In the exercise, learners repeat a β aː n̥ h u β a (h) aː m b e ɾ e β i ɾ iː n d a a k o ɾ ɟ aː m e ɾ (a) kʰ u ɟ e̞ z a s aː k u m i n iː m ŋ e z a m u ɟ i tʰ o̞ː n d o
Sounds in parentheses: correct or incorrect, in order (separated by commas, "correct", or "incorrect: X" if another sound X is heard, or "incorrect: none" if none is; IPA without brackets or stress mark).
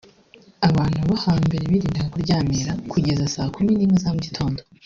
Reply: correct, correct